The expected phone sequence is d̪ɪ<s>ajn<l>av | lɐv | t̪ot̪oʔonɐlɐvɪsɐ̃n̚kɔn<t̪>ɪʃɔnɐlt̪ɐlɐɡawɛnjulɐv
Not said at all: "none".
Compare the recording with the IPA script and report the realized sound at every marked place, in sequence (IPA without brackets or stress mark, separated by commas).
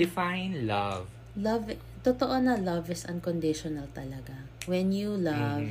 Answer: f, l, d̪